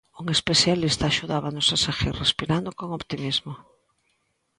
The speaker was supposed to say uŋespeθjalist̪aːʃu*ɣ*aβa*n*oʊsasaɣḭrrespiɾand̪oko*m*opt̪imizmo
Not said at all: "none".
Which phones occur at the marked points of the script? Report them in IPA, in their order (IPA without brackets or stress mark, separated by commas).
ð, n, ŋ